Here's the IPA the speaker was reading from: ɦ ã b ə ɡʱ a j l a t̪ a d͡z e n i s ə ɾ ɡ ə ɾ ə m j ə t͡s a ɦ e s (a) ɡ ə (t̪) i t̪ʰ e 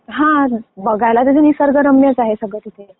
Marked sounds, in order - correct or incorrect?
incorrect: ə, correct

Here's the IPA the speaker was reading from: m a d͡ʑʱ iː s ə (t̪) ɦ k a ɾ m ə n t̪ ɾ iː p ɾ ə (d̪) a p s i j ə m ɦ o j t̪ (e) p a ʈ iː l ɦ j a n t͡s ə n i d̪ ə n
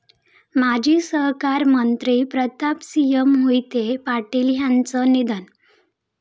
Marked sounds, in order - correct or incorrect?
incorrect: none, incorrect: t̪, correct

